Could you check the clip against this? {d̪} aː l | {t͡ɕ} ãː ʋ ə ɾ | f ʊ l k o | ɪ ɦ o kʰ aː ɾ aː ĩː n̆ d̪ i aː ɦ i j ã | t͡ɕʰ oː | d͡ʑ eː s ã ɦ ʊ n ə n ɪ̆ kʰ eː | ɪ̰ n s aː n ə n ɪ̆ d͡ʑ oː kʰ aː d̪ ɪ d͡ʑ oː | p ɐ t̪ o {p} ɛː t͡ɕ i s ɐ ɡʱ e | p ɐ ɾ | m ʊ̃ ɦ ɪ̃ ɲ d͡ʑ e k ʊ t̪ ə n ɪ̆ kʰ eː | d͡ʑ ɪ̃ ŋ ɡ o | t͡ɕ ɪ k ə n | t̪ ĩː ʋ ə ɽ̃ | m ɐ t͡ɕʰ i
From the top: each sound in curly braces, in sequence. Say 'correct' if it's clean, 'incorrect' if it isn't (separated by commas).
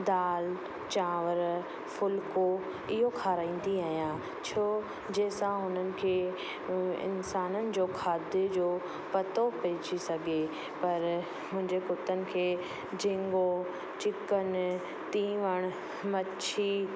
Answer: correct, correct, correct